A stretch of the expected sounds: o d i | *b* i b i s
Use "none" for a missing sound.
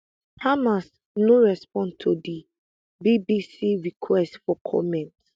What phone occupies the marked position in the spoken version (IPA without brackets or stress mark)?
b